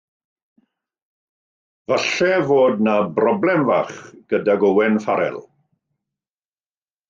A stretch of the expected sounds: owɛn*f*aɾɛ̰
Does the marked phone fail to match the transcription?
no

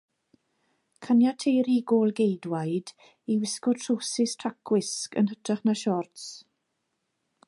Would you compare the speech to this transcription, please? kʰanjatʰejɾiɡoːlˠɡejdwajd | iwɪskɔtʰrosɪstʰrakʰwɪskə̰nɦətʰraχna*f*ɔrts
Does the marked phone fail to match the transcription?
yes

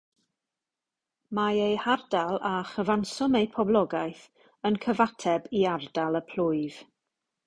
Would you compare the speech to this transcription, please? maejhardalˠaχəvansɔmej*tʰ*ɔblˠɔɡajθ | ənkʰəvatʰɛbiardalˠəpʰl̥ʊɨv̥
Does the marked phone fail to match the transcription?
yes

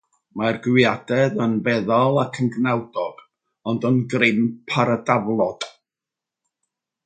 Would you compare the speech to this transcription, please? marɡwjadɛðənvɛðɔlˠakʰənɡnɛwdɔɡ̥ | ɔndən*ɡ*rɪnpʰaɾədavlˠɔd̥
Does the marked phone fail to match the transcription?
no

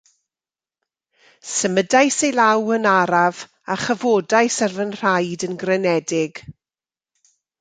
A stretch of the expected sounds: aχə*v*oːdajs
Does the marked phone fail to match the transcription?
no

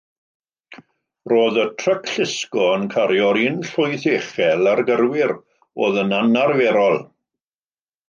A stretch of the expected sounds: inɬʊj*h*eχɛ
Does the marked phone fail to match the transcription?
yes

